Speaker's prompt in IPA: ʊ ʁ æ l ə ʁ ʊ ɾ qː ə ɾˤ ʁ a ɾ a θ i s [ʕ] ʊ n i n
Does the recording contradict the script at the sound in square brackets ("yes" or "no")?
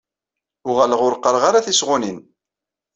yes